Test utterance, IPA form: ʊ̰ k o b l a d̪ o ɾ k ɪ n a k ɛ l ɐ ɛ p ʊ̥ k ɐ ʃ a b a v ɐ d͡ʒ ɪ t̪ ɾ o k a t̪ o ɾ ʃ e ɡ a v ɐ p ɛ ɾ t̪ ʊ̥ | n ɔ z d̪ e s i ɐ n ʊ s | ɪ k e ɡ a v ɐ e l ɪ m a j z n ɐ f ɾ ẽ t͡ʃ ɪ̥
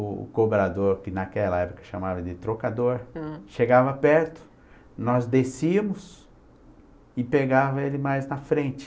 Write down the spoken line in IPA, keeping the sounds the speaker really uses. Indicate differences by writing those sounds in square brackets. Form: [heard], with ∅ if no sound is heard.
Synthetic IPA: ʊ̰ k o b [ɾ] a d̪ o ɾ k ɪ n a k ɛ l ɐ ɛ p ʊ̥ k ɐ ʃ a [m] a v ɐ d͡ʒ ɪ t̪ ɾ o k a [d̪] o ɾ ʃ e ɡ a v ɐ p ɛ ɾ t̪ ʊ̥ | n ɔ z d̪ e s i ɐ [m] ʊ s | ɪ [p] e ɡ a v ɐ e l ɪ m a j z n ɐ f ɾ ẽ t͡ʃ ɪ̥